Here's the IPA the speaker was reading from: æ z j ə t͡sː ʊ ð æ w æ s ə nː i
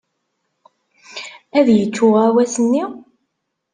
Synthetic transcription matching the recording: æ ð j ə t͡sː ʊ ʁ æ w æ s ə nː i